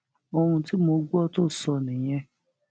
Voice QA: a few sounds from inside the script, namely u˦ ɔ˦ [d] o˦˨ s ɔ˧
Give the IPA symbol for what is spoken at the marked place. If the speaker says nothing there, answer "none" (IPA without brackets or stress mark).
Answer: t